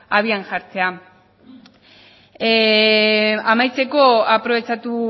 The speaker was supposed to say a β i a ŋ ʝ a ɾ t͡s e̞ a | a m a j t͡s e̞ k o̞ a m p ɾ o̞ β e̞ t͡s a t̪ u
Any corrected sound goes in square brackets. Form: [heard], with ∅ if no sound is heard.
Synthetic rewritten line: a β i a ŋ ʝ a ɾ t͡s e̞ a | a m a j t͡s e̞ k o̞ a [∅] p ɾ o̞ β e̞ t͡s a t̪ u